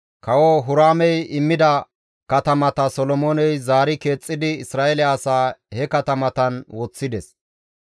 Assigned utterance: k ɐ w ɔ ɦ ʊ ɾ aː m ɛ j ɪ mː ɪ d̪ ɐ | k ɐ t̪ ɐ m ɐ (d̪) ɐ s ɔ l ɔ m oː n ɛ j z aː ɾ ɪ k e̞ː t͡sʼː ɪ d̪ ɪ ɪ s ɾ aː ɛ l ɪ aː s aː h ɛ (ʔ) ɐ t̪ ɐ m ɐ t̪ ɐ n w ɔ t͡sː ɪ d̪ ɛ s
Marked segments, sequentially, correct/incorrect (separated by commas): incorrect, incorrect